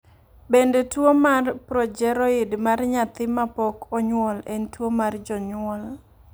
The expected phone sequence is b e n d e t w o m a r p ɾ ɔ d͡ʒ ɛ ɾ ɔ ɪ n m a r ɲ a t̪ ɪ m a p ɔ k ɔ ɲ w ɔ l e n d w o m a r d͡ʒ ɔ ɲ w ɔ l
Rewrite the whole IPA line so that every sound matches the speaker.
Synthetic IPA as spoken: b e n d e t w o m a r p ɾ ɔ d͡ʒ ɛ ɾ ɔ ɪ d m a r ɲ a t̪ ɪ m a p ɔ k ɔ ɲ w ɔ l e n t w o m a r d͡ʒ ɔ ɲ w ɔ l